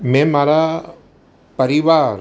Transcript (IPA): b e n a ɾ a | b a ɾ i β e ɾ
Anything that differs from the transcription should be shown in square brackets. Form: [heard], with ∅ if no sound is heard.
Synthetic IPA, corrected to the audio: [m] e [m] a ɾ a | [p] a ɾ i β [a] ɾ